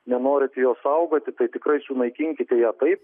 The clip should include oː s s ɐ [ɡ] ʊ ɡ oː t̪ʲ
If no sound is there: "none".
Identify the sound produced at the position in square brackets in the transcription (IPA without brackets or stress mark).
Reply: none